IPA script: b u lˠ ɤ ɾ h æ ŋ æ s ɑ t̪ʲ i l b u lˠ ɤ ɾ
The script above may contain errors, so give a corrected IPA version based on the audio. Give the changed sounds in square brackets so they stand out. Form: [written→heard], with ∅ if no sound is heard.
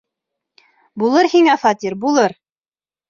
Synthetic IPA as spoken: b u lˠ ɤ ɾ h [æ→i] ŋ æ [s→f] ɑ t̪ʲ i [l→ɾ] b u lˠ ɤ ɾ